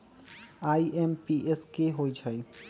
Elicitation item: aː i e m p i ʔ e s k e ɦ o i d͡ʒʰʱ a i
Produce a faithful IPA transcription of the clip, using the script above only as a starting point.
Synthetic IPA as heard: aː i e m p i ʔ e s k e ɦ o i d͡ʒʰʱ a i

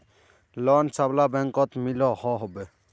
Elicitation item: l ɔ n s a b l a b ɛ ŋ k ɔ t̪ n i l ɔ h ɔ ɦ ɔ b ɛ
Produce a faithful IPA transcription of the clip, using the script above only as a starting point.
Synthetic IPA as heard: l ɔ n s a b l a b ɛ ŋ k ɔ t̪ m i l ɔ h ɔ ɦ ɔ b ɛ

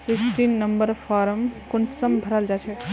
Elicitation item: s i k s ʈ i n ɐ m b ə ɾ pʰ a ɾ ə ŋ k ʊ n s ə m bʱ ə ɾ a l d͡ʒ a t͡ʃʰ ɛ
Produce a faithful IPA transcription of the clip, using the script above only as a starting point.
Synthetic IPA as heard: s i k s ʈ i nː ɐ m b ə ɾ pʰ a ɾ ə m k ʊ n s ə m bʱ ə ɾ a l d͡ʒ a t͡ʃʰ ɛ

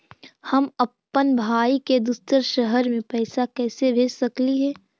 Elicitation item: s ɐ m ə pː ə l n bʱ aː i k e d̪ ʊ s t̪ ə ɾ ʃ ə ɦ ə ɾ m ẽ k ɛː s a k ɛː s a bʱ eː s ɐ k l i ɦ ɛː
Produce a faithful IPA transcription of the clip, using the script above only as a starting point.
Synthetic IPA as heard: h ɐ m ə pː ə n bʱ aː i k e d̪ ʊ s t̪ ə ɾ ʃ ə ɦ ə ɾ m ẽ p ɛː s a k ɛː s e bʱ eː s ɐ k l i ɦ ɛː

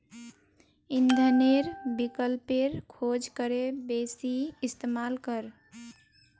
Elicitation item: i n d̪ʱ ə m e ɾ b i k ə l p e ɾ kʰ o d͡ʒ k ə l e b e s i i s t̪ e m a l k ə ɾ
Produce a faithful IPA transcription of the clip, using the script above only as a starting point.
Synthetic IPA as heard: i n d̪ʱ ə n e ɾ b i k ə l p e ɾ kʰ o d͡ʒ k ə ɾ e b e s i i s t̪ e m a l k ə ɾ

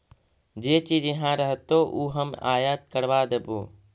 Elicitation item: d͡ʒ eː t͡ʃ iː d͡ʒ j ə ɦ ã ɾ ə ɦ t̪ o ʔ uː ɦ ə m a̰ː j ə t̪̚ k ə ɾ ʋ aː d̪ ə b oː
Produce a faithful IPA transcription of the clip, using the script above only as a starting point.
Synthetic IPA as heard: d͡ʒ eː t͡ʃ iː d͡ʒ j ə ɦ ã ɾ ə ɦ t̪ o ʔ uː ɦ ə m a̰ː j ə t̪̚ k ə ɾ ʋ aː d̪ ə b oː

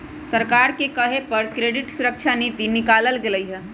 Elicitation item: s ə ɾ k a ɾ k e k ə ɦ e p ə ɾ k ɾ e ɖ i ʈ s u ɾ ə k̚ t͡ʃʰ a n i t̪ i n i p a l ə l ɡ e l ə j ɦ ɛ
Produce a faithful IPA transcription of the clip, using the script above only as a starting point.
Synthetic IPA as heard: s ə ɾ k a ɾ k e k ə ɦ e p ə ɾ k ɾ e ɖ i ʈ s u ɾ ə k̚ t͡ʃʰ a n i t̪ i n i k a l ə l ɡ e l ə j ɦ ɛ

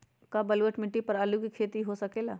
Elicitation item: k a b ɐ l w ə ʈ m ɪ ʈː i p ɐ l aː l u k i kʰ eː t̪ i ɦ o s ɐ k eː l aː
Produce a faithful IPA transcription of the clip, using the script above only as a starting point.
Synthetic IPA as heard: k a b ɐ l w ə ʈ m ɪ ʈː i p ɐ ɾ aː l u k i kʰ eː t̪ i ɦ o s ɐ k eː l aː

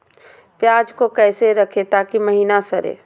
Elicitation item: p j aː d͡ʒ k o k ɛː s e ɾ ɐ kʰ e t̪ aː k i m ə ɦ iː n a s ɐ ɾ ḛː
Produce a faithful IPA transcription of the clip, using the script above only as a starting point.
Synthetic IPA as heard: p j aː d͡ʒ k o k ɛː s e ɾ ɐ kʰ e t̪ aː k i m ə ɦ iː n a s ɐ ɾ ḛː

